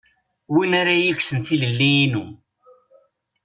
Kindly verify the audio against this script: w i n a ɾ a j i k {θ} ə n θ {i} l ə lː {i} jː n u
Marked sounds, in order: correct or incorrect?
incorrect: s, correct, correct

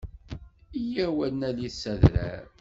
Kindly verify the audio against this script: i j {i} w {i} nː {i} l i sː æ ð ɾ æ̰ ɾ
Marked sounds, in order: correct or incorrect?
incorrect: æ, incorrect: æ, incorrect: æ

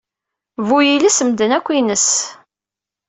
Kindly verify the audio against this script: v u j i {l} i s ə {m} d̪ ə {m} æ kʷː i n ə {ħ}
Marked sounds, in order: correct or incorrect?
correct, correct, incorrect: n, incorrect: s

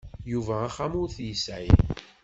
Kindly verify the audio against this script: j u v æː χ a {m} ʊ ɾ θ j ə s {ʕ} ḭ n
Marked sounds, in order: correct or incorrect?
correct, correct

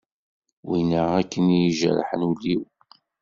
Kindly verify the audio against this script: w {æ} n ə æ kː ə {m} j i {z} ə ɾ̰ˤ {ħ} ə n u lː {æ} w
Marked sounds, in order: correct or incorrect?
incorrect: i, incorrect: n, incorrect: ʒ, correct, incorrect: i

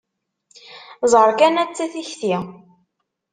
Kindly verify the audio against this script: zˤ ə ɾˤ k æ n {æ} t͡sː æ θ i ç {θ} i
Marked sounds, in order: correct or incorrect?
correct, correct

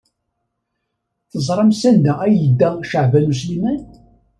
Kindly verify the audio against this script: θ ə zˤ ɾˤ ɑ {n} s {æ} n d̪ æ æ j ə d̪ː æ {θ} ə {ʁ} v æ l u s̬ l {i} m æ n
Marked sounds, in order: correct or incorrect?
incorrect: m, correct, incorrect: ʃ, incorrect: ʕ, correct

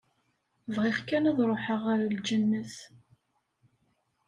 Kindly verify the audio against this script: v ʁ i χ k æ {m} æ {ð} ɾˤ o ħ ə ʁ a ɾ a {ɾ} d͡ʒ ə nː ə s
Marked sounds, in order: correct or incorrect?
incorrect: n, correct, incorrect: l

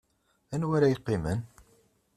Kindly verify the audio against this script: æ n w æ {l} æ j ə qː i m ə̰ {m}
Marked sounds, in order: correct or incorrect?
incorrect: ɾ, incorrect: n

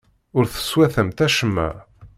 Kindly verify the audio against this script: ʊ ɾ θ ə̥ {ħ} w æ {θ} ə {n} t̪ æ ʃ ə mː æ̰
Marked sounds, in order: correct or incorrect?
incorrect: s, correct, incorrect: m

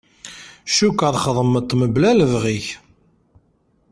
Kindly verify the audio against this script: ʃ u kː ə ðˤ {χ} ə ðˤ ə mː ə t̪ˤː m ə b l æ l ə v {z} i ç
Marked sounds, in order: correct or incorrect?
correct, incorrect: ʁ

